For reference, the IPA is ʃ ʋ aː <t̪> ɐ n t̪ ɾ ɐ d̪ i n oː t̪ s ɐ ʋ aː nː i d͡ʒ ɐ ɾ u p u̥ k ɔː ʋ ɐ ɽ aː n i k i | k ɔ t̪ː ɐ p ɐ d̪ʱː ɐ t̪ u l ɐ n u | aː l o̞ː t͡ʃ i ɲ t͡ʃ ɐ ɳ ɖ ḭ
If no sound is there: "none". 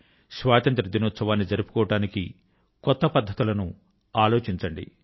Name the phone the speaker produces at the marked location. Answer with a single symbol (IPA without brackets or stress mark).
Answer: t̪